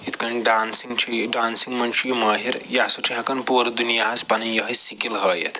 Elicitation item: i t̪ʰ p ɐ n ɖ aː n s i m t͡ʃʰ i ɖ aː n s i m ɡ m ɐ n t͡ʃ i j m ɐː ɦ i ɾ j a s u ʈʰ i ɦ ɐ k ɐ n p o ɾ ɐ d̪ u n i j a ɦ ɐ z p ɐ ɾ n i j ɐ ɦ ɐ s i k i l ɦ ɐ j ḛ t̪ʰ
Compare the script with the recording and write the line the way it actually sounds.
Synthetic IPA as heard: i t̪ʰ k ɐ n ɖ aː n s i ŋ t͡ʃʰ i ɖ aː n s i ŋ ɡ m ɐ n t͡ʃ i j m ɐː ɦ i ɾ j a s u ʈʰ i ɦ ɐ k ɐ n p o ɾ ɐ d̪ u n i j a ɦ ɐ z p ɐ n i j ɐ ɦ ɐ s i k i l ɦ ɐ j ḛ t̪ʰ